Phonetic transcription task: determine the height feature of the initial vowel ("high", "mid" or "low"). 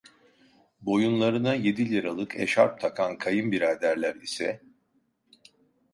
mid